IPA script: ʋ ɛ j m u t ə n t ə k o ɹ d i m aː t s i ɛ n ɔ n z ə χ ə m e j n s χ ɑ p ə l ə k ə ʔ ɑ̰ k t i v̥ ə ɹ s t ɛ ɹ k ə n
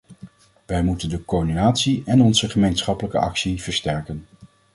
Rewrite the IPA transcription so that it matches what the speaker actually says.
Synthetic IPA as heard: ʋ ɛ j m u t ə n d ə k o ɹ d i n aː t s i ɛ n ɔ n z ə χ ə m e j n s χ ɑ p ə l ə k ə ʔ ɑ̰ k s i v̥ ə ɹ s t ɛ ɹ k ə n